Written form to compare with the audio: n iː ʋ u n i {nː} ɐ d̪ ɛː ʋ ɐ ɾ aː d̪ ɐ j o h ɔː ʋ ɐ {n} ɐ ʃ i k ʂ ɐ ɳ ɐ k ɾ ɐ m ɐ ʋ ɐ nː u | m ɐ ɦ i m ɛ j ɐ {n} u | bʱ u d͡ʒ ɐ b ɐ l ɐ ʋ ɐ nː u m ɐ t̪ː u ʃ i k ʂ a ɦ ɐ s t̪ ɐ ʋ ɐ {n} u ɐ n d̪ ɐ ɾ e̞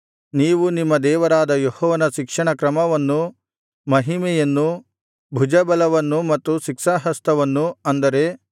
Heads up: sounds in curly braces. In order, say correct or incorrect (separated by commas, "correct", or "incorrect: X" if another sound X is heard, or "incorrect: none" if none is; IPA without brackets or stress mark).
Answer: incorrect: mː, correct, incorrect: nː, incorrect: nː